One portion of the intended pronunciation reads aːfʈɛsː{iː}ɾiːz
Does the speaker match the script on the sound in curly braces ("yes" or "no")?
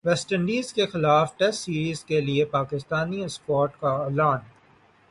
yes